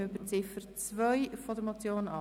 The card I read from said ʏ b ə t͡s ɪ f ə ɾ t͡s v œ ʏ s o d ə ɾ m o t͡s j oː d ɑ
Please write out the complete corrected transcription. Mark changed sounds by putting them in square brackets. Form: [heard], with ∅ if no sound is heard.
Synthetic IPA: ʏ b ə t͡s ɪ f ə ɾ t͡s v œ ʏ [f] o d ə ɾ m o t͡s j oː [n] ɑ